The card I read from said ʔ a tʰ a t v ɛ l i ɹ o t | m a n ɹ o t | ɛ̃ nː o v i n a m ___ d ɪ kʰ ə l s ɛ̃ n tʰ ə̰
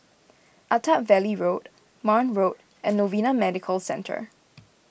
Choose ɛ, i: ɛ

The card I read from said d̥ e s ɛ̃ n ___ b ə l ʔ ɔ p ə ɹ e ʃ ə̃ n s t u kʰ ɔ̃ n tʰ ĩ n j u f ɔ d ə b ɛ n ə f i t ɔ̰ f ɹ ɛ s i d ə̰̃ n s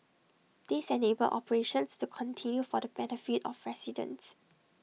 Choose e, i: e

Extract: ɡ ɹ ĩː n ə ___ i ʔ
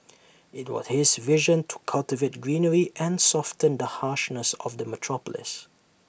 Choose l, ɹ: ɹ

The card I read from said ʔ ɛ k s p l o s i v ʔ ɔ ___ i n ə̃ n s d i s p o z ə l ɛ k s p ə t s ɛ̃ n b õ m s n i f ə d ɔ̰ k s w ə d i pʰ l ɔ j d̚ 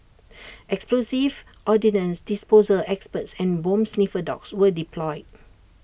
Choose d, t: d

